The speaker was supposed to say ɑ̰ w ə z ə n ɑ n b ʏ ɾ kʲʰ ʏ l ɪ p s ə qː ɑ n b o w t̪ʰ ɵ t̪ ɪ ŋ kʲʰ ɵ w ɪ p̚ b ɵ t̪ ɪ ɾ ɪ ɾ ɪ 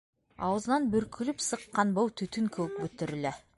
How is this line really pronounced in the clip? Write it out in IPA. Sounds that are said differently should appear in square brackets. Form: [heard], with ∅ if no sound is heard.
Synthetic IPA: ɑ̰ w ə z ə n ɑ n b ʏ ɾ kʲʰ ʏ l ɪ p s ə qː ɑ n b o w t̪ʰ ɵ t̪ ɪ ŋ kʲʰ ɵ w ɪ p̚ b ɵ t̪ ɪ ɾ ɪ [l] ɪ